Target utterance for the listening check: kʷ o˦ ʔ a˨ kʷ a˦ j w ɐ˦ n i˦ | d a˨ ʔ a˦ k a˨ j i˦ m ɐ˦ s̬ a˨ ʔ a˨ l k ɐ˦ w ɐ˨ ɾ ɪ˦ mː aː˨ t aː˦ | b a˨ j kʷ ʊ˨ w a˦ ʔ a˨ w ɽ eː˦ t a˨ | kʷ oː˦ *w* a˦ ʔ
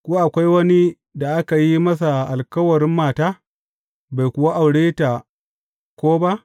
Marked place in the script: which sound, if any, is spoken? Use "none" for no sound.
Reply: b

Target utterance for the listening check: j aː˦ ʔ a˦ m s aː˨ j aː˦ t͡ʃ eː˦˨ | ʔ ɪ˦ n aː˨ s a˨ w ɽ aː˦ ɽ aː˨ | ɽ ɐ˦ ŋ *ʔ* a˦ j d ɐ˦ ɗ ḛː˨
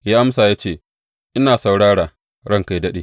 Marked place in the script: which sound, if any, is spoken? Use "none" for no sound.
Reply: k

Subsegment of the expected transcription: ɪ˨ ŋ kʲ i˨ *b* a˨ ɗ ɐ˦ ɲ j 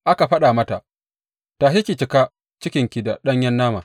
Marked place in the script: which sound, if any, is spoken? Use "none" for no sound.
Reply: d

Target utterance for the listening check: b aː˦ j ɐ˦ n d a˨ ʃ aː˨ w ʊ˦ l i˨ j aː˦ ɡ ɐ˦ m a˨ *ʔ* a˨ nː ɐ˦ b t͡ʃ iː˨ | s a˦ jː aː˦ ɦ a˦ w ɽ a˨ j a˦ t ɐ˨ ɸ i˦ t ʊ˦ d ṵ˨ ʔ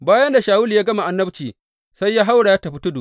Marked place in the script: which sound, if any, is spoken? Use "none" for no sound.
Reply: ʔ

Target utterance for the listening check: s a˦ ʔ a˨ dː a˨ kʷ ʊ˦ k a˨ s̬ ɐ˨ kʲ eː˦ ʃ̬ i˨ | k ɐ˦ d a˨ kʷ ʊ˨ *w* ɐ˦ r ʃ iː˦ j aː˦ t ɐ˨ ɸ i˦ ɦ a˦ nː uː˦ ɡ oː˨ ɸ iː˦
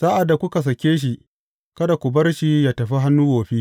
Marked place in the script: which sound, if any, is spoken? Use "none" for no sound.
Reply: b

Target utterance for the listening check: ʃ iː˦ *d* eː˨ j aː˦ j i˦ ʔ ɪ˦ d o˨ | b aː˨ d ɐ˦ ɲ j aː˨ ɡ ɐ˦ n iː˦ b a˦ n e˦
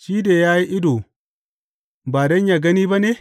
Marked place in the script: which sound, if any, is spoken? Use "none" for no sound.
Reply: d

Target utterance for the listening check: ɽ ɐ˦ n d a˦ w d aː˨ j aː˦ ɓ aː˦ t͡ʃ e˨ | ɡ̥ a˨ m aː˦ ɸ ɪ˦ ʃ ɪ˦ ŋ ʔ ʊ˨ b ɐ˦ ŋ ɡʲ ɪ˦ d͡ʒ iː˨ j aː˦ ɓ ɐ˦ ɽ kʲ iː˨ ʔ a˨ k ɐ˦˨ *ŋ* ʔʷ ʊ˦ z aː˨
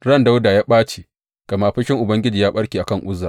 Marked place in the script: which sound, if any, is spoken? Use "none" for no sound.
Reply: ŋ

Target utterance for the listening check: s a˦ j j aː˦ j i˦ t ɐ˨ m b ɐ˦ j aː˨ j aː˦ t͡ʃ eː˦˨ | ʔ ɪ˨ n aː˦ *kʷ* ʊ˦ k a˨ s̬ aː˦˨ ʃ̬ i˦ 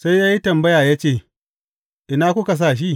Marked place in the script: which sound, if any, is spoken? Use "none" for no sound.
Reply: kʷ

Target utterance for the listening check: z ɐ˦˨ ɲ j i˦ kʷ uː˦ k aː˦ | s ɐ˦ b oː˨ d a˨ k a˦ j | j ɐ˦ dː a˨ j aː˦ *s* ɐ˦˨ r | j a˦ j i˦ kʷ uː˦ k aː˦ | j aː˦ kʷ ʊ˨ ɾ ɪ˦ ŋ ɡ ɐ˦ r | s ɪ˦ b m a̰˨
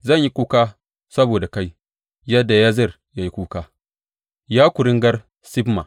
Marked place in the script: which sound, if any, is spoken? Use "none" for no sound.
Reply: z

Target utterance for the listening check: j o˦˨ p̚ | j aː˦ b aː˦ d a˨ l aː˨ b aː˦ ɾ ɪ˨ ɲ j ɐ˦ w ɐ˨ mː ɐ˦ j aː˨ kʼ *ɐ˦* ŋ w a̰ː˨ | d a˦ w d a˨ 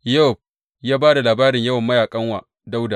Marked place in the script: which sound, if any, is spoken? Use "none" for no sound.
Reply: ɐ˦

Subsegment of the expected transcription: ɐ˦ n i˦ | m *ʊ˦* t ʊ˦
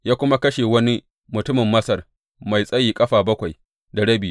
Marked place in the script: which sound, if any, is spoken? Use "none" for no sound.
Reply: ʊ˨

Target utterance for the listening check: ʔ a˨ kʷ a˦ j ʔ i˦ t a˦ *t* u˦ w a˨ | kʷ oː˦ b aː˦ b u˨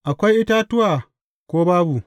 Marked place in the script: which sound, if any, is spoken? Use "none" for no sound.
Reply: t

